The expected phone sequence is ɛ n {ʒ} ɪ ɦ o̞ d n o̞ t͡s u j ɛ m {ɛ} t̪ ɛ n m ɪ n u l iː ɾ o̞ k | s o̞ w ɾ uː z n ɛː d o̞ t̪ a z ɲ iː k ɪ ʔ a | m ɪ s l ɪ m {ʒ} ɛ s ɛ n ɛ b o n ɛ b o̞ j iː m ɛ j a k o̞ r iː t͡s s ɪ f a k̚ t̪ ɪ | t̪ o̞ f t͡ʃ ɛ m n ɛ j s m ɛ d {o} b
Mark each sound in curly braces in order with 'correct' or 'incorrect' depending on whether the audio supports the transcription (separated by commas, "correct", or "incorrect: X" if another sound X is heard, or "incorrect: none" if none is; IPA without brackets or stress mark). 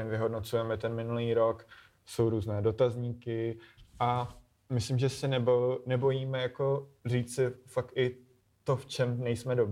incorrect: v, correct, correct, correct